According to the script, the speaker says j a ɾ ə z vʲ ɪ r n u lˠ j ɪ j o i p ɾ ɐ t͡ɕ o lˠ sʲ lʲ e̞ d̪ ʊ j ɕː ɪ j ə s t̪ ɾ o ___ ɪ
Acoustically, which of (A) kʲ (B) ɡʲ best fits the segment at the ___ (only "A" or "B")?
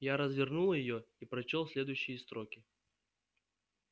A